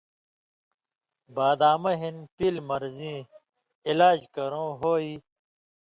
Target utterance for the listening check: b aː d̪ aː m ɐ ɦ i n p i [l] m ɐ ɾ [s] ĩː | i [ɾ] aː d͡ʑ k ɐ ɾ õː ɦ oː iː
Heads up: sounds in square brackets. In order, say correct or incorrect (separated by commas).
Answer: correct, incorrect, incorrect